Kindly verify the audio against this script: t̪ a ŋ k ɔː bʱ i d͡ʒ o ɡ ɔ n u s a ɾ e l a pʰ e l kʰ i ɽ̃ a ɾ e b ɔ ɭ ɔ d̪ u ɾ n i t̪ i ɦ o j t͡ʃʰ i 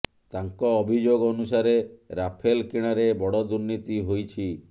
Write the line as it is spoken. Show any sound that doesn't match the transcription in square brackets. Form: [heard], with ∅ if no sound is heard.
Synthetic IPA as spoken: t̪ a ŋ k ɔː bʱ i d͡ʒ o ɡ ɔ n u s a ɾ e [ɾ] a pʰ e l [k] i ɽ̃ a ɾ e b ɔ [ɽ] ɔ d̪ u ɾ n i t̪ i ɦ o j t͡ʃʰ i